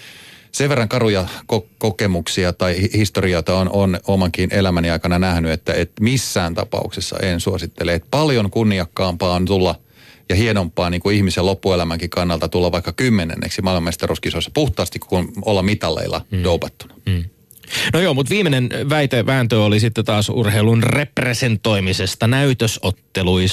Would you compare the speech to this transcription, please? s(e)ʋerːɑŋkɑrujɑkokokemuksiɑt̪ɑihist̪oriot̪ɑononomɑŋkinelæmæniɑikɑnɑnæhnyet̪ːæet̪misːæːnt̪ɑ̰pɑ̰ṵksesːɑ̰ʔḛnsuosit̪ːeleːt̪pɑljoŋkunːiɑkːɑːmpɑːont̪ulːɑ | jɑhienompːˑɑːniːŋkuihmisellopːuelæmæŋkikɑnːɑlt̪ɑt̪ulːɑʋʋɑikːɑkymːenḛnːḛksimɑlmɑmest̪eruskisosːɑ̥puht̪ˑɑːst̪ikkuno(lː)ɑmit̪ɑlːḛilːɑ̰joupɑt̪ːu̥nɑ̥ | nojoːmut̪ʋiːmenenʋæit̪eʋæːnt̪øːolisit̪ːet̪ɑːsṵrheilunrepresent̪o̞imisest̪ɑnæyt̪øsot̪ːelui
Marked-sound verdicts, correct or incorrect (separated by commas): correct, correct